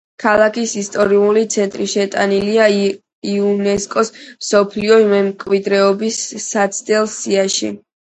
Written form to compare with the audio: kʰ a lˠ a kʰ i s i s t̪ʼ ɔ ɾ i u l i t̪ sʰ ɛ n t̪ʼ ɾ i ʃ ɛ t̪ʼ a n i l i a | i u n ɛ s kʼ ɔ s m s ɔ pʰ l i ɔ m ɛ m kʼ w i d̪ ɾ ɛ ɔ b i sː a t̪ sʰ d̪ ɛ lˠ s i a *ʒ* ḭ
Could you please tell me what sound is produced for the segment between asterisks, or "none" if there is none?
ʃ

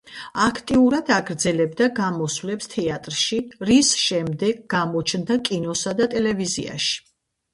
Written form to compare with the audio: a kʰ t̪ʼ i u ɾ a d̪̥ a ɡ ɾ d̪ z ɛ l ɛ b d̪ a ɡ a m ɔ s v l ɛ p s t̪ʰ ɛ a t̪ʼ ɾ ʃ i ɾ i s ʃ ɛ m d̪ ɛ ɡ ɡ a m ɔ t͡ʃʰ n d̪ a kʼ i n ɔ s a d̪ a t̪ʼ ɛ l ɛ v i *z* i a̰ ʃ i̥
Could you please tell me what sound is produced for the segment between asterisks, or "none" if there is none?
z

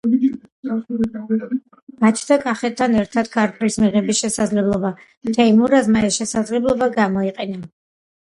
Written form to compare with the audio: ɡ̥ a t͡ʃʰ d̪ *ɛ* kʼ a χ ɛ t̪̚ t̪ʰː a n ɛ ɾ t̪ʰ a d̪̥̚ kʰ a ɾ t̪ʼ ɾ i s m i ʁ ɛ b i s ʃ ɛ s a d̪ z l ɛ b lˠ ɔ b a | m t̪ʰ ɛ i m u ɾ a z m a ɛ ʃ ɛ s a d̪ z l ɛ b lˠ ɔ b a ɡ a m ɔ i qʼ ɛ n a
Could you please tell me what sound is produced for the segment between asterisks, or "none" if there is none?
a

